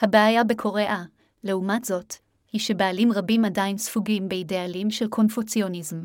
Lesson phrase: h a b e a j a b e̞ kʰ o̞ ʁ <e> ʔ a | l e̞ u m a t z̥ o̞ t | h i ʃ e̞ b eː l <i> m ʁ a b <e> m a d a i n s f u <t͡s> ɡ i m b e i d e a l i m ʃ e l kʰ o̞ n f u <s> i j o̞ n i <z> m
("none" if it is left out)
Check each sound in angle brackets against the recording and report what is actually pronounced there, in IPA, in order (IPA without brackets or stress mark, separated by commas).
e, i, i, none, t͡s, z